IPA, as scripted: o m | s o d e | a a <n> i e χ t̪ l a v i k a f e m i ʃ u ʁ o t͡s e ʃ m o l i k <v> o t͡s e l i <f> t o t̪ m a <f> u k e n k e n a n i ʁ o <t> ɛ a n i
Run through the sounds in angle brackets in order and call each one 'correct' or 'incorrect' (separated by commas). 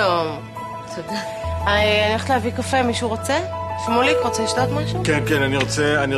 correct, incorrect, incorrect, incorrect, incorrect